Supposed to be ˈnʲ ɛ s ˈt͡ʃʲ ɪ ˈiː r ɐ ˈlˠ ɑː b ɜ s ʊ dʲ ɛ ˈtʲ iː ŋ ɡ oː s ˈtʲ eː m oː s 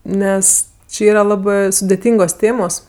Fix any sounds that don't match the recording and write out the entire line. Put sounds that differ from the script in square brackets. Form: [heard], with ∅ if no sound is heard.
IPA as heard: ˈnʲ ɛ s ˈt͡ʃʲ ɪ ˈiː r ɐ ˈlˠ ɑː b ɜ s ʊ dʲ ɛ ˈtʲ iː ŋ ɡ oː s ˈtʲ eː m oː s

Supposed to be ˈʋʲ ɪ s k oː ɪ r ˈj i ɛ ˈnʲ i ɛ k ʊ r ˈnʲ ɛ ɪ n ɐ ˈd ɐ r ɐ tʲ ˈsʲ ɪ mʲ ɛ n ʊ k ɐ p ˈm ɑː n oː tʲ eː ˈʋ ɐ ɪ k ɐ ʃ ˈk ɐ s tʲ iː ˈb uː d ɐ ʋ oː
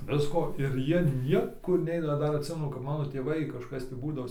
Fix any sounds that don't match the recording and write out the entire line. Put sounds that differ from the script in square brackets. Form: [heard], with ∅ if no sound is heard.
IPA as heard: ˈʋʲ ɪ s k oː ɪ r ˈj i ɛ ˈnʲ i ɛ k ʊ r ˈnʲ ɛ ɪ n ɐ ˈd ɐ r ɐ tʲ ˈsʲ ɪ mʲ ɛ n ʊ k ɐ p ˈm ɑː n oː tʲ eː ˈʋ ɐ ɪ k ɐ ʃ ˈk ɐ s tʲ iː ˈb uː d ɐ ʋ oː

